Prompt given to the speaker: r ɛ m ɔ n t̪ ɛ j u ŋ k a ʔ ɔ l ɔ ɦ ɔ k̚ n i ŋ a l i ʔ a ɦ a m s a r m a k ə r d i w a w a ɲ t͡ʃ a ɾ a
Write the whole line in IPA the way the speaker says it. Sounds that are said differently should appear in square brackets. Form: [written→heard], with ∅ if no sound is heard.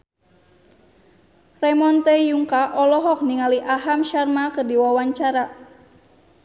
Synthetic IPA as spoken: r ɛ m ɔ n t̪ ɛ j u ŋ k a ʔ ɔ l ɔ ɦ ɔ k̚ n i ŋ a l i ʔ a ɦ a m [s→ʃ] a r m a k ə r d i w a w a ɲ t͡ʃ a ɾ a